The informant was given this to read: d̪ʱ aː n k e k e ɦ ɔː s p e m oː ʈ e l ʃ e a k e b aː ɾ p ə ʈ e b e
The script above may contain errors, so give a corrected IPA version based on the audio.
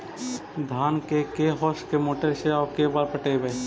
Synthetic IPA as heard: d̪ʱ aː n k e k e ɦ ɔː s k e m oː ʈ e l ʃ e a k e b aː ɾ p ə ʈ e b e